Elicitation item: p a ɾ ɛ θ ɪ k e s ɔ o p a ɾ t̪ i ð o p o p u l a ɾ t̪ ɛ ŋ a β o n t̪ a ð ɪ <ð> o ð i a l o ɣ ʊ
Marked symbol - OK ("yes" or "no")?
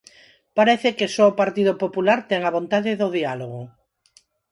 yes